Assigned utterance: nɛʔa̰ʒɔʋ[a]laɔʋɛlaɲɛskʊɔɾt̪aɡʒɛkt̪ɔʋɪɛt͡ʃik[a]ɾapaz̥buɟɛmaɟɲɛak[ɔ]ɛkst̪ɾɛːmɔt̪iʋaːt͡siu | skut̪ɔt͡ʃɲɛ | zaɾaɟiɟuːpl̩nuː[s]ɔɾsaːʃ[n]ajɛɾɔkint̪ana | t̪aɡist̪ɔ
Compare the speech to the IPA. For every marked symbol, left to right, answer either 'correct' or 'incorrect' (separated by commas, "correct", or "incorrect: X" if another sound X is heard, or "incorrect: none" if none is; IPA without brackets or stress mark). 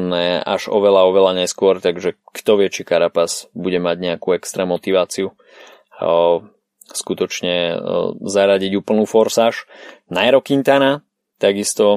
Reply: incorrect: ɛ, correct, incorrect: u, incorrect: f, correct